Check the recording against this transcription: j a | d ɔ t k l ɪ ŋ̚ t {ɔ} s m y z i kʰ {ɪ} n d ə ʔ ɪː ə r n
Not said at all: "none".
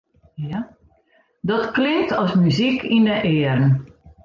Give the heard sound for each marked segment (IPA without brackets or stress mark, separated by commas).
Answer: ɔ, i